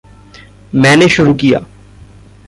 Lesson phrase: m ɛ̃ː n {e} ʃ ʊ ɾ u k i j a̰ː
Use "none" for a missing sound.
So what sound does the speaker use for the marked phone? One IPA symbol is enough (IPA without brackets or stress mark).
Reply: e